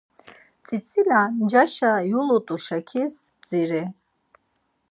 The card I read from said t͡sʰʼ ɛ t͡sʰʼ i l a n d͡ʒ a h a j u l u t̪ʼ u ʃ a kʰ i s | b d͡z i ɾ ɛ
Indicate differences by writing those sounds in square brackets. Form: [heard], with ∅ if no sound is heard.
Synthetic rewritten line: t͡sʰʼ [i] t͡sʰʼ i l a n d͡ʒ a [ʃ] a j u l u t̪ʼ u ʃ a kʰ i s | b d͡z i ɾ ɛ